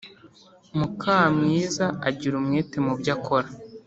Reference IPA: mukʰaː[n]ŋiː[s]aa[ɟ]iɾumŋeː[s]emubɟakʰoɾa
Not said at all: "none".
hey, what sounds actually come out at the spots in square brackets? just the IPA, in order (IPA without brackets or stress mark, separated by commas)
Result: m, z, ɟ, t